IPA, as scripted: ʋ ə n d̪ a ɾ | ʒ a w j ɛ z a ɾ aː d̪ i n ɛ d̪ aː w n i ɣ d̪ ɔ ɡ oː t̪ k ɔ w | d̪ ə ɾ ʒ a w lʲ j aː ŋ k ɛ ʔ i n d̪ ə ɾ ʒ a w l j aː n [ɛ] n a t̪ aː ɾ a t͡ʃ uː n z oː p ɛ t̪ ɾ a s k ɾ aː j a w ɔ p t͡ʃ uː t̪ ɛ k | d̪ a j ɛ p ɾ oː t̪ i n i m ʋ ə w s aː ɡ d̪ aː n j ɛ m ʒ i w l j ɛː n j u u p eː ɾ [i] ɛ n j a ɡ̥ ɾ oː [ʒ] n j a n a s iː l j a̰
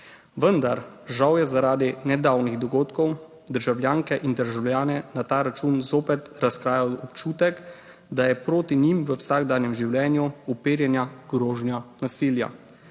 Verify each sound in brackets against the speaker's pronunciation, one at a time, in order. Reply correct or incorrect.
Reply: correct, incorrect: j, correct

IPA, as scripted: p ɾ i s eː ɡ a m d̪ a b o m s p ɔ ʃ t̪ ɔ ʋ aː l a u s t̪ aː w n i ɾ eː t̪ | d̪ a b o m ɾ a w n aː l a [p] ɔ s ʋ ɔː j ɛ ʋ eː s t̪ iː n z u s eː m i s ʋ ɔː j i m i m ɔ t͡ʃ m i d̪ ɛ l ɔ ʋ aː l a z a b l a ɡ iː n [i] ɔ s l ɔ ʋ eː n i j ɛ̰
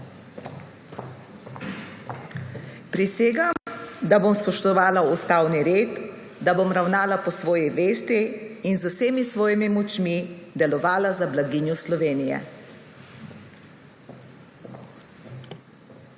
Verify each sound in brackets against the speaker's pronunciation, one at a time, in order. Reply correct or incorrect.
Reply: correct, incorrect: j

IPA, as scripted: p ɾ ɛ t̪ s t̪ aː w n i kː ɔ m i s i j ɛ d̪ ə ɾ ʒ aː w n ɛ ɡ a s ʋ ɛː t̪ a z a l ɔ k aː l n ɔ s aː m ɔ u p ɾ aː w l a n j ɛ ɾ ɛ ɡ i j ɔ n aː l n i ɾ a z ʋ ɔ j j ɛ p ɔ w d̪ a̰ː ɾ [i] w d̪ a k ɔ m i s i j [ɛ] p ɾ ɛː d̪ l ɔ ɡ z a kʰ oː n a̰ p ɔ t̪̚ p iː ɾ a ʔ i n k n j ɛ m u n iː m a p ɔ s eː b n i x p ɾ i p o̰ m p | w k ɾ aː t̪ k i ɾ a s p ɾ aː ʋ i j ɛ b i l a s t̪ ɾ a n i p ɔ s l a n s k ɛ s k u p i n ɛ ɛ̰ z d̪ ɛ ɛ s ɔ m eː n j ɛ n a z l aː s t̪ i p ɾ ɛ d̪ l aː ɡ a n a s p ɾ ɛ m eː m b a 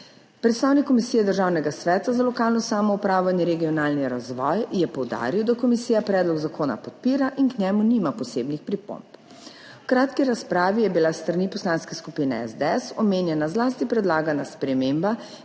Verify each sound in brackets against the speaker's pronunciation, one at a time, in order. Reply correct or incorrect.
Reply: correct, incorrect: a

